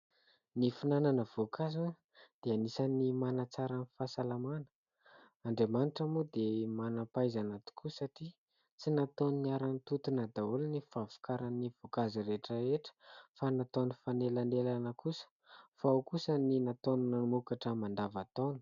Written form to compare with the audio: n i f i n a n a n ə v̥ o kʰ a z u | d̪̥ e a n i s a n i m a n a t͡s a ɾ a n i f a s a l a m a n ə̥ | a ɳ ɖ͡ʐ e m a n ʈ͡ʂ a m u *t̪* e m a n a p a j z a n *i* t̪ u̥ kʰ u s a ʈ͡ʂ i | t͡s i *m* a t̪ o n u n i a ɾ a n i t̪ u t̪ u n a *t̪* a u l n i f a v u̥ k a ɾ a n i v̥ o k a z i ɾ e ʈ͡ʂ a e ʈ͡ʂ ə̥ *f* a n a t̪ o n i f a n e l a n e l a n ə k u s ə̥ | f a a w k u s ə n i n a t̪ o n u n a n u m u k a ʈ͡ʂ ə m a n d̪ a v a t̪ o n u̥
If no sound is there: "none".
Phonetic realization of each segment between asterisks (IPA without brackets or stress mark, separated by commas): d̪, a, n, d̪, f